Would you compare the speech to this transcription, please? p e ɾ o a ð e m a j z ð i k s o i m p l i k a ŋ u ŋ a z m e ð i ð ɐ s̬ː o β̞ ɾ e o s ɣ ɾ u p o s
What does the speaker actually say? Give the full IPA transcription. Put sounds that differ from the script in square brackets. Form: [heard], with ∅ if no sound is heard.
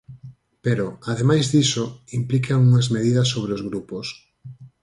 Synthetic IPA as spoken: p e ɾ o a ð e m a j z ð i [∅] s o i m p l i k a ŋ u ŋ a z m e ð i ð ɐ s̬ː o β̞ ɾ e o [z] ɣ ɾ u p o s